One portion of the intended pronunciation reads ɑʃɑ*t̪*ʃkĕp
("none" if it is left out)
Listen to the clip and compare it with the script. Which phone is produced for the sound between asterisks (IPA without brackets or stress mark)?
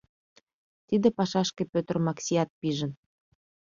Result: none